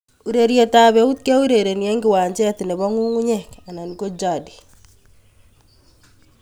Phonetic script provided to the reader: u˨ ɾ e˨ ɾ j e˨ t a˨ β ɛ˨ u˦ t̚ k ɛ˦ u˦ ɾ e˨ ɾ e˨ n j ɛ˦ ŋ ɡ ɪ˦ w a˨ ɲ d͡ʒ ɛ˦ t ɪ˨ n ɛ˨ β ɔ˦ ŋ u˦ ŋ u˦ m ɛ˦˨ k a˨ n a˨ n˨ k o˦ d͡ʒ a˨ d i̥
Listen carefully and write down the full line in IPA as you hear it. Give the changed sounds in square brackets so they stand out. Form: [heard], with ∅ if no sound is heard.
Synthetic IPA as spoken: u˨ ɾ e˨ ɾ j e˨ t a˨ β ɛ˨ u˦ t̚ k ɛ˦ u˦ ɾ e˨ ɾ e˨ n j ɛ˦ ŋ ɡ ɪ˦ w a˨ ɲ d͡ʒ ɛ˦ t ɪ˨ n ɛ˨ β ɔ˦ ŋ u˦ ŋ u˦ [ɲ] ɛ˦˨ k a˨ n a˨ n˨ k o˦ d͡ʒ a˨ d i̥